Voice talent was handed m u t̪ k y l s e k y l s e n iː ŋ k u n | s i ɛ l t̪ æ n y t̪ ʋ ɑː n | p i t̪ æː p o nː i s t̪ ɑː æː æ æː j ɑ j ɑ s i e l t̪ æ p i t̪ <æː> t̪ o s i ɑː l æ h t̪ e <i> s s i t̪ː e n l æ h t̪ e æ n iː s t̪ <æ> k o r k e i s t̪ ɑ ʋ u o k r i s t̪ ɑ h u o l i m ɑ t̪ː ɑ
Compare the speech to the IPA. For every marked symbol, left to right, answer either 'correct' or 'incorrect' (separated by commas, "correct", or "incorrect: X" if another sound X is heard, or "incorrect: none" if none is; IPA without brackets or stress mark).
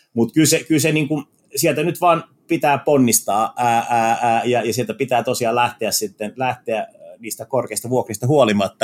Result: correct, incorrect: æ, correct